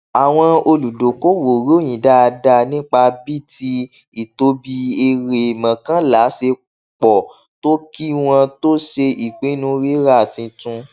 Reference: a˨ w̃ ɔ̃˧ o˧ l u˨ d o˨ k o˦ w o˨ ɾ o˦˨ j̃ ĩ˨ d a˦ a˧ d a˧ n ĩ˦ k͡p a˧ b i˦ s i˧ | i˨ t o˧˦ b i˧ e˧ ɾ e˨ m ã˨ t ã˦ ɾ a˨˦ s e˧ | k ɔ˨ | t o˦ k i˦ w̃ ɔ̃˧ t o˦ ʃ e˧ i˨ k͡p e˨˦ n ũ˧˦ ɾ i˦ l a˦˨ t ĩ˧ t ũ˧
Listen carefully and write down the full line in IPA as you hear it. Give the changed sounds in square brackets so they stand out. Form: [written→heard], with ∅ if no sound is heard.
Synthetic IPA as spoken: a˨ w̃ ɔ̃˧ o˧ l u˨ d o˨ k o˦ w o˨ ɾ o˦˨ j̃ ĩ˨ d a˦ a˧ d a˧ n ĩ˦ k͡p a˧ b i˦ [s→t] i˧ | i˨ t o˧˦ b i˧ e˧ ɾ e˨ m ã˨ [t→k] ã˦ [ɾ→l] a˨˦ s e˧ | [k→k͡p] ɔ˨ | t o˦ k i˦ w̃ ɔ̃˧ t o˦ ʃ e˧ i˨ k͡p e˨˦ n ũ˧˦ ɾ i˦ [l→ɾ] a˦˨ t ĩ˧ t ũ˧

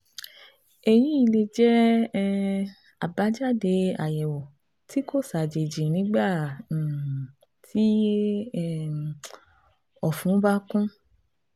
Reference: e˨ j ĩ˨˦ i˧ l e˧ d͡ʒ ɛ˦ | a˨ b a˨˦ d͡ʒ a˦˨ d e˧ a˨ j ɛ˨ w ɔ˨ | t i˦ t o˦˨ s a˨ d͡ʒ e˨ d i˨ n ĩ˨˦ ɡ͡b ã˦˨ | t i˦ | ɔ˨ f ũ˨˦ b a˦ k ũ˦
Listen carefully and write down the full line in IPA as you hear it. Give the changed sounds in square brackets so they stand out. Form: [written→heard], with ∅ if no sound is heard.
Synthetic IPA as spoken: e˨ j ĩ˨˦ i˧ l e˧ d͡ʒ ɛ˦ | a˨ b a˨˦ d͡ʒ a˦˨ d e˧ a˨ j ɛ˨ w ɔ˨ | t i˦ [t→k] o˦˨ s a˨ d͡ʒ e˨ [d→d͡ʒ] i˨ n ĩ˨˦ ɡ͡b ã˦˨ | t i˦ | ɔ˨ f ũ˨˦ b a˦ k ũ˦

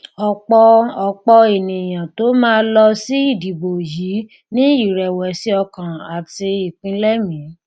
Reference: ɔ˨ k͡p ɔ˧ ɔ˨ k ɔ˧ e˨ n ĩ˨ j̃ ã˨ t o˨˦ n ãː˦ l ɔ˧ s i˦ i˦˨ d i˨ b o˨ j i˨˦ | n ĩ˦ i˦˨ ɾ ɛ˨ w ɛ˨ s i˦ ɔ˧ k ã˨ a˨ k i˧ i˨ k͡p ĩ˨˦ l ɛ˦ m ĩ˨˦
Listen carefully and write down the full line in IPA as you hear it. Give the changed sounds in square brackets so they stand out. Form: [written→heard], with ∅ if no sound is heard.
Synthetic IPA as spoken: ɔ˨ k͡p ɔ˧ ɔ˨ [k→k͡p] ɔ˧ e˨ n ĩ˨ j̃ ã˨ t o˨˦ [n→m] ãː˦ l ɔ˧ s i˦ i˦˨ d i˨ b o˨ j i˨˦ | n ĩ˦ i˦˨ ɾ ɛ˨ w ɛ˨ s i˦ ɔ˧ k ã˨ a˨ [k→t] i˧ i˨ k͡p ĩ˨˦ l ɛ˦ m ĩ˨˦

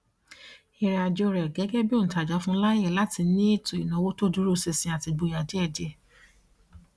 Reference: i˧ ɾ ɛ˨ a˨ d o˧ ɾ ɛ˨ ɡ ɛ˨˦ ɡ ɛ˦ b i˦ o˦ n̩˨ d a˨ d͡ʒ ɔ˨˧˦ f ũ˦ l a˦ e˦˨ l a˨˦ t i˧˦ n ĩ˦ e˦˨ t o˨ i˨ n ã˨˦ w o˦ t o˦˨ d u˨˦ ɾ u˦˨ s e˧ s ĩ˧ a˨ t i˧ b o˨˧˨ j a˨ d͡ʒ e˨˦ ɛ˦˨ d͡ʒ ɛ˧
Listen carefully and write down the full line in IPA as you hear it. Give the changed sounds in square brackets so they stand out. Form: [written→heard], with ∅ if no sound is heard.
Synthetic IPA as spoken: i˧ ɾ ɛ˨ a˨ [d→d͡ʒ] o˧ ɾ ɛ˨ ɡ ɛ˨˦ ɡ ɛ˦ b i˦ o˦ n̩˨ [d→t] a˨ d͡ʒ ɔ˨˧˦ f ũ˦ l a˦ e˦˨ l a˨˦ t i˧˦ n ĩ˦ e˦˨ t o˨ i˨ n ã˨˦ w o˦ t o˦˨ d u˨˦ ɾ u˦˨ s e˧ s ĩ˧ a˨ t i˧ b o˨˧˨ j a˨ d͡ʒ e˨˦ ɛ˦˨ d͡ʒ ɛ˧

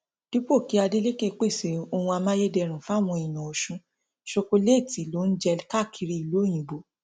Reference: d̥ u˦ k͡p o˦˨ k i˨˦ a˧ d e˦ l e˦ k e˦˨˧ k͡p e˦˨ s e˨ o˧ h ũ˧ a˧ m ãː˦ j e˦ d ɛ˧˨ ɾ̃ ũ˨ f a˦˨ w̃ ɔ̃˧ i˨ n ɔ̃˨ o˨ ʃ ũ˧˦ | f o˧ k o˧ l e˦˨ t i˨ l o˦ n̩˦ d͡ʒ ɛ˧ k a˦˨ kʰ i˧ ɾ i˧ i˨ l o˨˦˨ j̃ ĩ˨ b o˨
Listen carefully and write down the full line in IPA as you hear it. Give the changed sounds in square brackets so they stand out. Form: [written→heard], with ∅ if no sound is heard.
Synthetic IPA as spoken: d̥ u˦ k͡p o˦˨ k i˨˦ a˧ d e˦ l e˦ k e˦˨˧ k͡p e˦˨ s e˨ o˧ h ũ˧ a˧ m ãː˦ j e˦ d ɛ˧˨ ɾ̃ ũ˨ f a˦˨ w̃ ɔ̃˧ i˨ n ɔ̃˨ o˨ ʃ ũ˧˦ | [f→ʃ] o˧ k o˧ l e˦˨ t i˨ l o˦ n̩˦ d͡ʒ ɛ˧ k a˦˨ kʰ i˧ ɾ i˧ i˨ l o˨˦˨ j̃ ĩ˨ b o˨

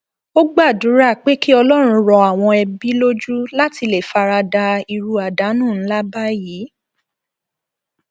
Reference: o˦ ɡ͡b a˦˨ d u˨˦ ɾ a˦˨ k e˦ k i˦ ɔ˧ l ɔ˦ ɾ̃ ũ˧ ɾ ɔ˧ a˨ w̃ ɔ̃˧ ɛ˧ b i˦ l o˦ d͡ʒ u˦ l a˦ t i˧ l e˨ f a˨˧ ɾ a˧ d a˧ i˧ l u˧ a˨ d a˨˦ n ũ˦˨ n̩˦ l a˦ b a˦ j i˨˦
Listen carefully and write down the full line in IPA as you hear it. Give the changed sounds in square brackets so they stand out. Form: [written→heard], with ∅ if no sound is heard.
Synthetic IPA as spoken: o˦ ɡ͡b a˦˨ d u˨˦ ɾ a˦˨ [k→k͡p] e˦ k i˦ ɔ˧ l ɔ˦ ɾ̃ ũ˧ ɾ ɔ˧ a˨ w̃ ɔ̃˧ ɛ˧ b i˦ l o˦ d͡ʒ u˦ l a˦ t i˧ l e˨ f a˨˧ ɾ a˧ d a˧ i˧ [l→ɾ] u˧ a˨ d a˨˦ n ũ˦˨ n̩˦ l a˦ b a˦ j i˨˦

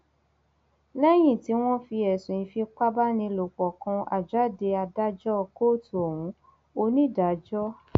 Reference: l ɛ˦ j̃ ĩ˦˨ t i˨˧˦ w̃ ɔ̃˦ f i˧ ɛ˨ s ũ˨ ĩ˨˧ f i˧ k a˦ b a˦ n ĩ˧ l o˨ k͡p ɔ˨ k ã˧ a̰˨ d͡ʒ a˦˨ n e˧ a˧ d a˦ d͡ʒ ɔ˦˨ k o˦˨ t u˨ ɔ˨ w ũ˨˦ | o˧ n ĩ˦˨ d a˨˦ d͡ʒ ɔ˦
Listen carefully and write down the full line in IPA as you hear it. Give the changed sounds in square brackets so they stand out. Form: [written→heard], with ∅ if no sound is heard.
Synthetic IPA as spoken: l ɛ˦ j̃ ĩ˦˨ t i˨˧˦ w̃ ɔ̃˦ f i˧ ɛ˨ s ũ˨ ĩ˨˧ f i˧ [k→k͡p] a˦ b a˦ n ĩ˧ l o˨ k͡p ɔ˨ k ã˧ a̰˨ d͡ʒ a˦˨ [n→d] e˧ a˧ d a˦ d͡ʒ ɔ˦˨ k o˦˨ t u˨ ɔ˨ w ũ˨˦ | o˧ n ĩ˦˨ d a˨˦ d͡ʒ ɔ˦

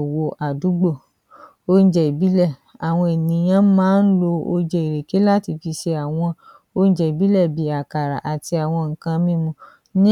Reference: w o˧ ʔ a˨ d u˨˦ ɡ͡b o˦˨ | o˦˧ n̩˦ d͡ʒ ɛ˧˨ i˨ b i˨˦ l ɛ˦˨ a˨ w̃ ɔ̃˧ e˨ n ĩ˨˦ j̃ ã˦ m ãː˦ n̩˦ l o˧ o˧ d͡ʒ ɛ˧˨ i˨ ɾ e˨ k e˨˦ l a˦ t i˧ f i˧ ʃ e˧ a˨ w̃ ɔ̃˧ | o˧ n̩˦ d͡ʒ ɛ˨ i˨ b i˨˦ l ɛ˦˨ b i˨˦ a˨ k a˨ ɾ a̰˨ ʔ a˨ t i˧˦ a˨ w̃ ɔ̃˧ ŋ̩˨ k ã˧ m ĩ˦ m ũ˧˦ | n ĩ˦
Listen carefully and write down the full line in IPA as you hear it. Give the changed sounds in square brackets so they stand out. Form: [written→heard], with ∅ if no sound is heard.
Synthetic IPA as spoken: w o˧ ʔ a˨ d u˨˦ ɡ͡b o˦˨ | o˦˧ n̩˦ d͡ʒ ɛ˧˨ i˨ b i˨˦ l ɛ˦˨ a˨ w̃ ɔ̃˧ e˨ n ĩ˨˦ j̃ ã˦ m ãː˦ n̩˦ l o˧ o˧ d͡ʒ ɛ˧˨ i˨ ɾ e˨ k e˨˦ l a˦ t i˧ f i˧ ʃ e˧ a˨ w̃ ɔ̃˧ | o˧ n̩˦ d͡ʒ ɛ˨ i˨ b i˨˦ l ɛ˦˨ b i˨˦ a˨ k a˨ ɾ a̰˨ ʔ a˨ t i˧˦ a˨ w̃ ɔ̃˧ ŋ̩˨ k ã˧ m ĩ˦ m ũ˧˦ | n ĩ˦

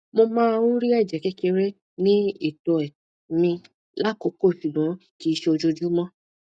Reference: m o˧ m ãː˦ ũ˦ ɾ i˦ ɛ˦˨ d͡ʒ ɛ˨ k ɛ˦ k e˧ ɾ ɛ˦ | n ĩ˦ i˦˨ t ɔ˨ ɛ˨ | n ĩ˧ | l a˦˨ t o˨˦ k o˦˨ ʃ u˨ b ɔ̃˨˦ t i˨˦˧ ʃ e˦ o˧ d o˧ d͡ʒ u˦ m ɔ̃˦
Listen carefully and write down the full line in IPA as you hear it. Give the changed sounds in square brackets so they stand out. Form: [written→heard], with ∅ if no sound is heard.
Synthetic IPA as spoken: m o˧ m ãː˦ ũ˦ ɾ i˦ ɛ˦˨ d͡ʒ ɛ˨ k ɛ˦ k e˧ ɾ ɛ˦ | n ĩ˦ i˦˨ t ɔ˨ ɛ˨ | [n→m] ĩ˧ | l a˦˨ [t→k] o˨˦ k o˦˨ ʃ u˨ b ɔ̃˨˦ [t→k] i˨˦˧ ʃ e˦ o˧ [d→d͡ʒ] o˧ d͡ʒ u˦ m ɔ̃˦

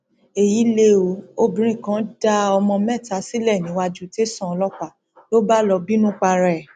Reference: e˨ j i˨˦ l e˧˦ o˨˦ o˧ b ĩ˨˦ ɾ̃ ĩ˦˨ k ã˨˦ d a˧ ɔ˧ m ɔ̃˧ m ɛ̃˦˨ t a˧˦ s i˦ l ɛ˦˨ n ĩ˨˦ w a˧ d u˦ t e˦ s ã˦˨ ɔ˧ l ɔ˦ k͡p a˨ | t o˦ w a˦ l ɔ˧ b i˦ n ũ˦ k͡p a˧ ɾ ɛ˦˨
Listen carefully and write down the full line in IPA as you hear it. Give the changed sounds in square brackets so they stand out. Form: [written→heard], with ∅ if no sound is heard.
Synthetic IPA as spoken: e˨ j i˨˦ l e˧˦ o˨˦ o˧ b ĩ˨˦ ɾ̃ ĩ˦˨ k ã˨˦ d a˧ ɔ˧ m ɔ̃˧ m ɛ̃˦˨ t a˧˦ s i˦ l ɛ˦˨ n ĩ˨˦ w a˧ [d→d͡ʒ] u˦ t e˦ s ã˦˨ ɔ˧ l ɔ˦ k͡p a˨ | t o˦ [w→b] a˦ l ɔ˧ b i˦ n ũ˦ k͡p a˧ ɾ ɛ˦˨

